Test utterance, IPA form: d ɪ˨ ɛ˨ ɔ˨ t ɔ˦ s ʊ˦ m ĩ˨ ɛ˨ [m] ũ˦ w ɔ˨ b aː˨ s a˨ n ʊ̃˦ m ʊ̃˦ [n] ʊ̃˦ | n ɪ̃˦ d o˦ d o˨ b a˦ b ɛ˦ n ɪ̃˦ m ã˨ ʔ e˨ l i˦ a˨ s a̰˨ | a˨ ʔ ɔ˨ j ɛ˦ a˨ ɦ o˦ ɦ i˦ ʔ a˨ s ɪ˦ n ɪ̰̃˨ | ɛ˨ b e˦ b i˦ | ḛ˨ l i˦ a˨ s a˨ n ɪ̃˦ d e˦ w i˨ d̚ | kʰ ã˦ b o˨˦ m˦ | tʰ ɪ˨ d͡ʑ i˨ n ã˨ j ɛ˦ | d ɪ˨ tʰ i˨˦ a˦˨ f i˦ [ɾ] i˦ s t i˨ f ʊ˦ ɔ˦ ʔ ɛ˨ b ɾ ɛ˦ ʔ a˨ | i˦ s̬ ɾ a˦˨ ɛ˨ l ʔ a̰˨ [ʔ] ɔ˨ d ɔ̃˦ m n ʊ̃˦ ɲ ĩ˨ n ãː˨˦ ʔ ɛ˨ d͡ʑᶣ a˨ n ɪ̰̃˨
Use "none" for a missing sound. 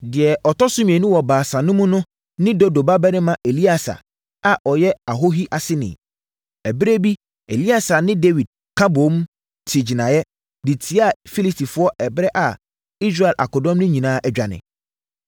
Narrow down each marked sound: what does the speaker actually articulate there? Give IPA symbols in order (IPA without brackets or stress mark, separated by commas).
n, n, l, k